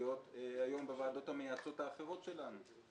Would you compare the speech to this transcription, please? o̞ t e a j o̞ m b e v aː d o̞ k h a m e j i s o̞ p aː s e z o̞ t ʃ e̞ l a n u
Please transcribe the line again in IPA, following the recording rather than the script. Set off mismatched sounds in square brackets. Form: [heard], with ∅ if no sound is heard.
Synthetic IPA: o̞ t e a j o̞ m b e v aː d o̞ [t] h a m e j [a] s o̞ [t] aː [χ] e [ʁ] o̞ t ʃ e̞ l a n u